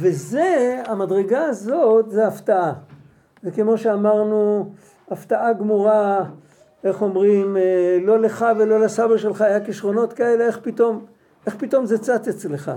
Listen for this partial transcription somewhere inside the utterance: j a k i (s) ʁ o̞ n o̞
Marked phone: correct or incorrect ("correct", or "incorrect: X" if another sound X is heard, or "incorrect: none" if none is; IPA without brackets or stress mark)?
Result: incorrect: ʃ